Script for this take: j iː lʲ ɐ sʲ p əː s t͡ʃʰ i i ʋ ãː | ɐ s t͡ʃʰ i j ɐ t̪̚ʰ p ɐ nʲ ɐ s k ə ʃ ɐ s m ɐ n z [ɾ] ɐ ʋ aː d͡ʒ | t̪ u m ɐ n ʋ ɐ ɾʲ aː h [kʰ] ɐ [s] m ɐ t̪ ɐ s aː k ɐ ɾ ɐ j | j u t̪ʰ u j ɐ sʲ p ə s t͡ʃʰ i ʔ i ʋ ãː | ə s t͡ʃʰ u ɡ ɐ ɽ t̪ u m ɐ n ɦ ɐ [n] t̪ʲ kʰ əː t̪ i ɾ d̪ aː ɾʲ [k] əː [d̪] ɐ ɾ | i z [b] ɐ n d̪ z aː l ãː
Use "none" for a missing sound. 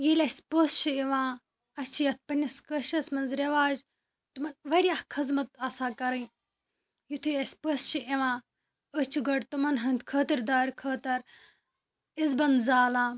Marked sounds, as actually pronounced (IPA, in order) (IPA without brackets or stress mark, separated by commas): ɾ, kʰ, z, n, kʰ, t̪, b